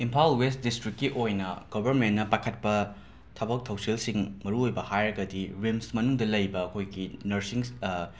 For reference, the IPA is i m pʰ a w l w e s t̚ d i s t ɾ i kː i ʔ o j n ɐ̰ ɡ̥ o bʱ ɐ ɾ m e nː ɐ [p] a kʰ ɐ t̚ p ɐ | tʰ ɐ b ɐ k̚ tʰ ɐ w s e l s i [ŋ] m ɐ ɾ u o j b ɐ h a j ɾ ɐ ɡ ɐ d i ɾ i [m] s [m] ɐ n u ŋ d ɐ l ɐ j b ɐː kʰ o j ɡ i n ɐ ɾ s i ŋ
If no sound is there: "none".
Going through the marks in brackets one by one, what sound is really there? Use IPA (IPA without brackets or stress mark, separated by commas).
p, ŋ, m, m